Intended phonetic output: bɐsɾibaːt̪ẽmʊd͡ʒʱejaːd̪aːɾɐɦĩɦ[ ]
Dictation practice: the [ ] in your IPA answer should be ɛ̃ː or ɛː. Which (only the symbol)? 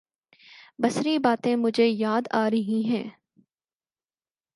ɛ̃ː